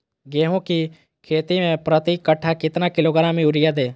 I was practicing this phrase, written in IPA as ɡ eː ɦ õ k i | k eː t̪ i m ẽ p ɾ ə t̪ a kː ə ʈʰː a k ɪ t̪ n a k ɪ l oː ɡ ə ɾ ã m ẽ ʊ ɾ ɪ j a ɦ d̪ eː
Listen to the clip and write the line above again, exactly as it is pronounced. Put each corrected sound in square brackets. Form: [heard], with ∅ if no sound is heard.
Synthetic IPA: ɡ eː ɦ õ k i | [kʰ] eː t̪ i m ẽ p ɾ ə t̪ [i] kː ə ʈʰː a k ɪ t̪ n a k ɪ l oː ɡ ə ɾ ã m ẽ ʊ ɾ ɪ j a [∅] d̪ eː